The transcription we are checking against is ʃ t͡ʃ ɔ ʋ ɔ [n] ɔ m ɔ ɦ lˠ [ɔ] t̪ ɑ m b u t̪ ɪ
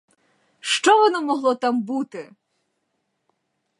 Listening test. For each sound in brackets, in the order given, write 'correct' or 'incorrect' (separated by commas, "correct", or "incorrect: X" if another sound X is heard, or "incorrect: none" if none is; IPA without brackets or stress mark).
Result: correct, correct